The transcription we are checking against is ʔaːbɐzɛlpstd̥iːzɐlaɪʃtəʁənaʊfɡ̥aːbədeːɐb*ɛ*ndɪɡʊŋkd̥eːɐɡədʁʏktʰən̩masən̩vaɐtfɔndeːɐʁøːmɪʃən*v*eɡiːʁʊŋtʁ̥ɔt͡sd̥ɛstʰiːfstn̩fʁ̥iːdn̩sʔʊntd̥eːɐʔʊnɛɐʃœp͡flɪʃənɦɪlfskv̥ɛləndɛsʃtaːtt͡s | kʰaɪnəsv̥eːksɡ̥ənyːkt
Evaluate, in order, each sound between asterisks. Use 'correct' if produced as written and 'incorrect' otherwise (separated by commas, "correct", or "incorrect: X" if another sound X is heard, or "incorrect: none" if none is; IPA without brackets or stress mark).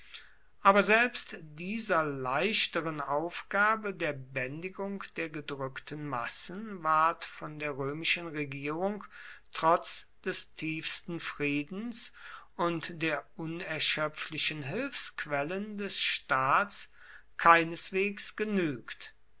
correct, incorrect: ʁ